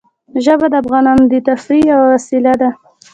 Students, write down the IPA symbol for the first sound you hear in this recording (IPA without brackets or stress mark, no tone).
ʒ